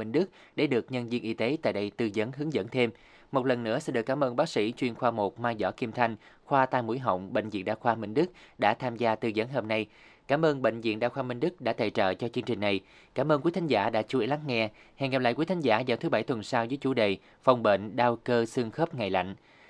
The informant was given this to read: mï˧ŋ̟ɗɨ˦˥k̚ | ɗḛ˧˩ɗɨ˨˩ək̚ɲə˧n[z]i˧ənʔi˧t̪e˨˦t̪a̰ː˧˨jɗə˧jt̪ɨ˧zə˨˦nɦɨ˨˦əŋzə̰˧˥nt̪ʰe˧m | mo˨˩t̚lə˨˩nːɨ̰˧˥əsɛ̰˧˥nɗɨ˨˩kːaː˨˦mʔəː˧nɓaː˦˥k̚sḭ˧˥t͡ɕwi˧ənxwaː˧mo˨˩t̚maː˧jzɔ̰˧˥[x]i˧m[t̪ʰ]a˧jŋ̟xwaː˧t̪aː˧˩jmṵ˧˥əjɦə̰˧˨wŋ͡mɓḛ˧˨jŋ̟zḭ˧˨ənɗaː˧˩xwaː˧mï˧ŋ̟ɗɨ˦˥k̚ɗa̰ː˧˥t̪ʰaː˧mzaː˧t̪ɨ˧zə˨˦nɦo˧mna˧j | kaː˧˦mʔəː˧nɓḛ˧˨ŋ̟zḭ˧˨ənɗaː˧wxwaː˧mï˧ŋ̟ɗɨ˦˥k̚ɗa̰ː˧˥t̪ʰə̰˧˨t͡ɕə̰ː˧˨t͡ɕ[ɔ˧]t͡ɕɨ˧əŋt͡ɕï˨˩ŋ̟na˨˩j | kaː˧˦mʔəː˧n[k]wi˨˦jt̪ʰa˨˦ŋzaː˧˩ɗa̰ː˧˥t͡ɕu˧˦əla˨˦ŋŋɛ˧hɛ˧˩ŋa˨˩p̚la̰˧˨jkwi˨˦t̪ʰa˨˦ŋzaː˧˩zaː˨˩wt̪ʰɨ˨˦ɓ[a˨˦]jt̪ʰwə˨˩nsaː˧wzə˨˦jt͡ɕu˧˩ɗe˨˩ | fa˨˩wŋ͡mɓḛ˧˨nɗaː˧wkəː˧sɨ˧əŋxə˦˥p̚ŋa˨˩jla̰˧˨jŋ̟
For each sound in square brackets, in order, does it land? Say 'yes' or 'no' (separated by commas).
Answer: yes, no, yes, yes, yes, no